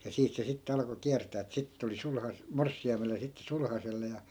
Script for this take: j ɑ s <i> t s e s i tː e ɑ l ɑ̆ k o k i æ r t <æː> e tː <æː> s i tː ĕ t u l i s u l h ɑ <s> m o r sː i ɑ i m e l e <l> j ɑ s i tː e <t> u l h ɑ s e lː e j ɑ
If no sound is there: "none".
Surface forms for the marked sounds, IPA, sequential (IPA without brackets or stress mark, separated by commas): iː, æː, æ, s, none, s